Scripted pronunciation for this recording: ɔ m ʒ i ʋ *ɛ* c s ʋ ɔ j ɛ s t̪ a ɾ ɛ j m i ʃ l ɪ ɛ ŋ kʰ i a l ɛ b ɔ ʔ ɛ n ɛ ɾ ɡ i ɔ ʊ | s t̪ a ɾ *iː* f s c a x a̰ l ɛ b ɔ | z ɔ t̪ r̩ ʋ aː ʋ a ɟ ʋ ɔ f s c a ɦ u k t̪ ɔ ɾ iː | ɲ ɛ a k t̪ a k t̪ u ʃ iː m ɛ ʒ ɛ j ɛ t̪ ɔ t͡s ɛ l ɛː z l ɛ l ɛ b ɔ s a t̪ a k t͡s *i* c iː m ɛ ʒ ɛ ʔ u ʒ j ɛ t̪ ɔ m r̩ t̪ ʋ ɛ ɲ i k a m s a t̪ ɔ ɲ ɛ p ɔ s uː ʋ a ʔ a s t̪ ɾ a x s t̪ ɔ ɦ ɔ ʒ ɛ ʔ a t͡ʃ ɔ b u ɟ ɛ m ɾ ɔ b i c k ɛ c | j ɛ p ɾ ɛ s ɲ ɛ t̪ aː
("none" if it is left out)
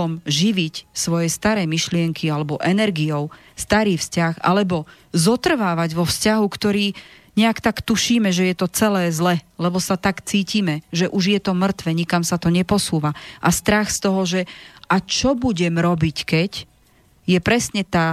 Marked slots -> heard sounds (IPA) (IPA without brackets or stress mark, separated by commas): i, iː, iː